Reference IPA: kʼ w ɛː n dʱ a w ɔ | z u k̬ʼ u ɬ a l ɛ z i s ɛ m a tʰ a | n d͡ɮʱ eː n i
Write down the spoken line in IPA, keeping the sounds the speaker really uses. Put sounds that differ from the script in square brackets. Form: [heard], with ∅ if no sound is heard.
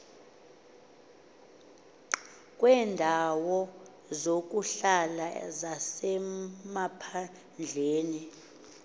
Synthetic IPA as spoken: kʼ w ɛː n dʱ a w ɔ | z [o] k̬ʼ u ɬ a l [a] z [a] s ɛ m a [pʰ] a | n d͡ɮʱ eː n i